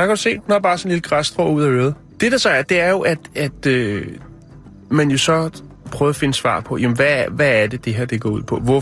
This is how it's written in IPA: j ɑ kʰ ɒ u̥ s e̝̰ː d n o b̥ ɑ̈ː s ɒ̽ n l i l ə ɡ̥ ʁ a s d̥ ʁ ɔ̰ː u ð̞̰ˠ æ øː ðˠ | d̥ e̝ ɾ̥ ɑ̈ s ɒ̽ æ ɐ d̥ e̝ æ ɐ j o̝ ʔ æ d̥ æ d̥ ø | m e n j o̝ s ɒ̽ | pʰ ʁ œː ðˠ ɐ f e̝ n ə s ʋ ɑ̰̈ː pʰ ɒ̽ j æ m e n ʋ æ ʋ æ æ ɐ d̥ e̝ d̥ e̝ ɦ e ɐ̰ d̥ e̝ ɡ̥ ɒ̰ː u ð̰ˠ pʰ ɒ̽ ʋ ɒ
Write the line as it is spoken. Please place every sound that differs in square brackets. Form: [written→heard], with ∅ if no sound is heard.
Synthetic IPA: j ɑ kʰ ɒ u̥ s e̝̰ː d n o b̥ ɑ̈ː s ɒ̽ n l i l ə ɡ̥ ʁ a s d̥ ʁ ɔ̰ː u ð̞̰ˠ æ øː ðˠ | d̥ e̝ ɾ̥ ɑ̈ s ɒ̽ æ ɐ d̥ e̝ æ ɐ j o̝ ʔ æ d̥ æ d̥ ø | m [e→æ] n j o̝ s ɒ̽ | pʰ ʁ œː ðˠ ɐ f e̝ n ə s ʋ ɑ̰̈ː pʰ ɒ̽ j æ m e n ʋ æ ʋ æ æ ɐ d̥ e̝ d̥ e̝ ɦ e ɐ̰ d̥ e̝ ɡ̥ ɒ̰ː u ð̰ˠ pʰ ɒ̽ ʋ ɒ